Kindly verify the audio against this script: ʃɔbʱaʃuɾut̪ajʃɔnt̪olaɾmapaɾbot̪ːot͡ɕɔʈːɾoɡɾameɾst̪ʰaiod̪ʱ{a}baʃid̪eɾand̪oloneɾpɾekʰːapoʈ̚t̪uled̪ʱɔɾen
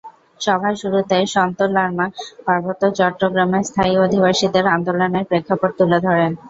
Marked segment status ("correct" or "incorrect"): incorrect